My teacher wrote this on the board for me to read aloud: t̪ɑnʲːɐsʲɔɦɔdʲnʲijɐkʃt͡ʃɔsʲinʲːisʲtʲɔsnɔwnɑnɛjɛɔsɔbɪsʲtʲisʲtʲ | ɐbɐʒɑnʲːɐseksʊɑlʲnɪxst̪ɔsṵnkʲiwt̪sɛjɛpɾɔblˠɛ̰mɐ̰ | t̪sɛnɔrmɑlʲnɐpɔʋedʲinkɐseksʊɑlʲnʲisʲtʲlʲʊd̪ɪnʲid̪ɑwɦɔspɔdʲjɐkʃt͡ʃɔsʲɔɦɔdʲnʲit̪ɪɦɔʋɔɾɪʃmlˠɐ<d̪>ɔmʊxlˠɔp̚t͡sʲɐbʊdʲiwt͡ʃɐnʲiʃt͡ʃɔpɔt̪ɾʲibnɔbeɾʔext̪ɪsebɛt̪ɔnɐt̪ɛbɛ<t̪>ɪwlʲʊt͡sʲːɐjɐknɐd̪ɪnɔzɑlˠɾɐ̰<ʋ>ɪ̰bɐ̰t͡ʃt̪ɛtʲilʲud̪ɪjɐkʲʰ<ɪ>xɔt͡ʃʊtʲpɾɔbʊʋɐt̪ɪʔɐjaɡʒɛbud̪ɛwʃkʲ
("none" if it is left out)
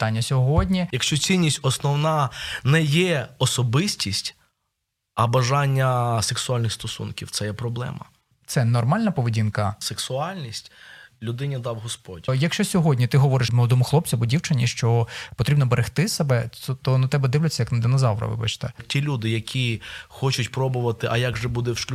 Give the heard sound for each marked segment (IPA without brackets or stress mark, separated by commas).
d̪, d̪, ʋ, i